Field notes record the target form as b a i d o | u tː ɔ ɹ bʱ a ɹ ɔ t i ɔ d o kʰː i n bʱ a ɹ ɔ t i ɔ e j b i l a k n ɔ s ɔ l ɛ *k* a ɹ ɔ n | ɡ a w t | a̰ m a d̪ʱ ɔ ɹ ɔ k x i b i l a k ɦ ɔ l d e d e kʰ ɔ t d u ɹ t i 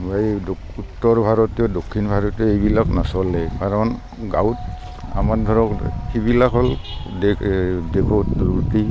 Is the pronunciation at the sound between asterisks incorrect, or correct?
correct